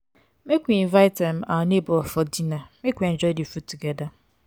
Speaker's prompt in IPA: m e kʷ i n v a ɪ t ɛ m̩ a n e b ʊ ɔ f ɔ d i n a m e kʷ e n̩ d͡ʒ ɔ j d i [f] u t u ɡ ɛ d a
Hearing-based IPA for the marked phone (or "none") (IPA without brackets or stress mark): f